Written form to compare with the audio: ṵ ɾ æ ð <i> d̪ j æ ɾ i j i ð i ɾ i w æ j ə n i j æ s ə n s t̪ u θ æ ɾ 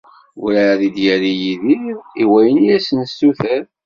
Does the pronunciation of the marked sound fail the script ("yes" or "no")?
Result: no